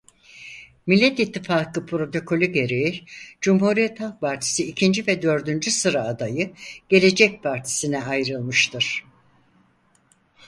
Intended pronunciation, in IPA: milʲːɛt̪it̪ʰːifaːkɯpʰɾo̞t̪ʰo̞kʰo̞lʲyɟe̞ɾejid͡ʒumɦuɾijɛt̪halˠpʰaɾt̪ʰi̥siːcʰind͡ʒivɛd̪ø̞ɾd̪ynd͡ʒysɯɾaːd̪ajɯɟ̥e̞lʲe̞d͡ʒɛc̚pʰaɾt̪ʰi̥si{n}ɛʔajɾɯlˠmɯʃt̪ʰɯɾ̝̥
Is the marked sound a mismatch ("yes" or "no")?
no